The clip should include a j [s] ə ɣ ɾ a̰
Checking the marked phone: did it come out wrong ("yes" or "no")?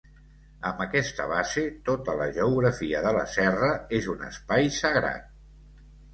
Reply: no